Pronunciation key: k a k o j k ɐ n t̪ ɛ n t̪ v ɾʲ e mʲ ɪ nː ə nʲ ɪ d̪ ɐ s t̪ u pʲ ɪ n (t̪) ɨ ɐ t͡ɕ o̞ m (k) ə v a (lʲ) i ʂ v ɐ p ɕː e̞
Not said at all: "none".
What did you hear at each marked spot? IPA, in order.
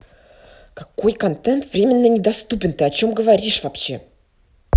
t̪, ɡ, ɾʲ

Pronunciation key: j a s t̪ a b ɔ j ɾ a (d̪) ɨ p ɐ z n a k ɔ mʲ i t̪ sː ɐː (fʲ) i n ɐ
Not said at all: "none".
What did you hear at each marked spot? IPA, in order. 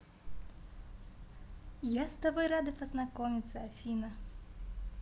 d̪, fʲ

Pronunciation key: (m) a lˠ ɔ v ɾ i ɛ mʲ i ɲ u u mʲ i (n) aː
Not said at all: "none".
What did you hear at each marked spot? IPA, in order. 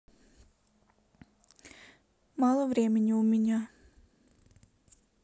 m, ɲ

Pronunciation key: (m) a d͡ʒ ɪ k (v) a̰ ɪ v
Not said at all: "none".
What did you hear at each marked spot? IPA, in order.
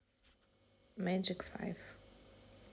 m, f

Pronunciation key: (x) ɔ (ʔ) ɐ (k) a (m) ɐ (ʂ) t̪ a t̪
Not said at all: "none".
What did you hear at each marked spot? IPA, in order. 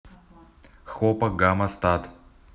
x, p, ɡ, m, s

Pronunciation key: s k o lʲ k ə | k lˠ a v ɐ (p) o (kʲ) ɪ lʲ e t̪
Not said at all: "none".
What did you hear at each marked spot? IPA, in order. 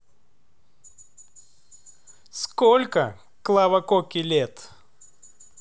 k, kʲ

